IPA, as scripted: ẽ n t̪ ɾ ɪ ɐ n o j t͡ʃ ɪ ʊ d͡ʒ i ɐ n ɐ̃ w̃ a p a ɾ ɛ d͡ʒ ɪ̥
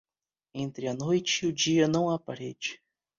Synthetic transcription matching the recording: ẽ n t̪ ɾ ɪ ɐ n o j t͡ʃ ɪ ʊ d͡ʒ i ɐ n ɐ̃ w̃ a p a ɾ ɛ d͡ʒ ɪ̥